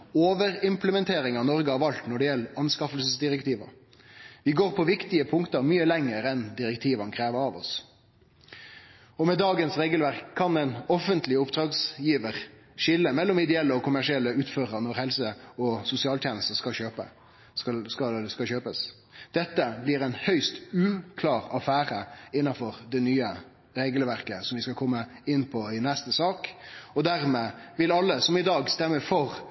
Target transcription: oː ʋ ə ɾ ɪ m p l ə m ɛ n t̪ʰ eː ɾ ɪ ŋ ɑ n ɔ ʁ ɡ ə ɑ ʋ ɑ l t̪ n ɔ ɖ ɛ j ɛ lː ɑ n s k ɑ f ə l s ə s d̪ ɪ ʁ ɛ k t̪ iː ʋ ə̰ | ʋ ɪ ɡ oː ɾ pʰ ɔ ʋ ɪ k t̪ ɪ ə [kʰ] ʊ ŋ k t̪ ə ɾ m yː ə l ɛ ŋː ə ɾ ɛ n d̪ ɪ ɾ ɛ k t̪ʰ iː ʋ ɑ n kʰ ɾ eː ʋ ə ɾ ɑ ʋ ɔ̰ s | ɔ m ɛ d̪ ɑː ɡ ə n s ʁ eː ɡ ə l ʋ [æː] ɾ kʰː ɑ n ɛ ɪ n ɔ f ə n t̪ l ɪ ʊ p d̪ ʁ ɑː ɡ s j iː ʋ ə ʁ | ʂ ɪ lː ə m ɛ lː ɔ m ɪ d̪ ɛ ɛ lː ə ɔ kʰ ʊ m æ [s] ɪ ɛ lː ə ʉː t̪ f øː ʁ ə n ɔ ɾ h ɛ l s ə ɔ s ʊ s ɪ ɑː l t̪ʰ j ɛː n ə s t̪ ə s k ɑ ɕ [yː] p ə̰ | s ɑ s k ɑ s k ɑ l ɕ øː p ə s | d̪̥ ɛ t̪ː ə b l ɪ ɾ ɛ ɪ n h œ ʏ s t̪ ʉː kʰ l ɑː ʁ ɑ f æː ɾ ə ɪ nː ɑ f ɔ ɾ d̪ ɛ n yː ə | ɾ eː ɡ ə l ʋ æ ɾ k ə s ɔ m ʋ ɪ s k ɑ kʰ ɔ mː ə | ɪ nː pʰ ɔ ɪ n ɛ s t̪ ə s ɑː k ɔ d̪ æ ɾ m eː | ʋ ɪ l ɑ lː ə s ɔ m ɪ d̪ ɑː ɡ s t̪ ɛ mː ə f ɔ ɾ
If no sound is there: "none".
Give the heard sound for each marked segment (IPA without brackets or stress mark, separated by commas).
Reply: pʰ, æ, ʂ, øː